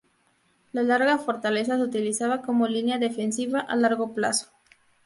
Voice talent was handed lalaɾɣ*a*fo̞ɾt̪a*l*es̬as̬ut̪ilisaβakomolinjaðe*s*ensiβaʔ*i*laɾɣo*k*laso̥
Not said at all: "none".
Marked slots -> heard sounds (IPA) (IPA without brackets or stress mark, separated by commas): a, l, f, a, p